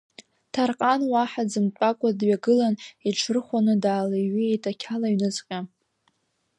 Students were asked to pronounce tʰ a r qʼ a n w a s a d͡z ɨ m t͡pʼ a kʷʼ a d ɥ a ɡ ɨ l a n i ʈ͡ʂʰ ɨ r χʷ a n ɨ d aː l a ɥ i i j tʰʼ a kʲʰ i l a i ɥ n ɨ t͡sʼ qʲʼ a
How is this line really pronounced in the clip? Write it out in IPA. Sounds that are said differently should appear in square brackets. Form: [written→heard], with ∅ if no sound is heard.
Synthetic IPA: tʰ a r qʼ a n w a [s→ħ] a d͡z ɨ m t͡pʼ a kʷʼ a d ɥ a ɡ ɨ l a n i ʈ͡ʂʰ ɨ r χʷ a n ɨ d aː l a ɥ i [i→e] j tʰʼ a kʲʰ [i→a] l a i ɥ n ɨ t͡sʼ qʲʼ a